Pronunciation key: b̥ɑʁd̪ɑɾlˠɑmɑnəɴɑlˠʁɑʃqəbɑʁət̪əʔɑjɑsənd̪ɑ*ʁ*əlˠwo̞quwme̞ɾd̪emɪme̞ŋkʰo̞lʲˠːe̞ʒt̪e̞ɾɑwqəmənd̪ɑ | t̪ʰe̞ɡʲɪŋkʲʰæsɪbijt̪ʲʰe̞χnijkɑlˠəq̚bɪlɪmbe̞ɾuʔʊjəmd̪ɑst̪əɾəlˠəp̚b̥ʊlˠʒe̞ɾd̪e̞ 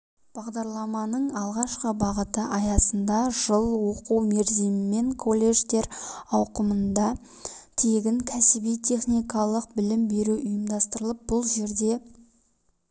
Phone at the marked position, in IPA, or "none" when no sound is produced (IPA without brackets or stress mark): ʒ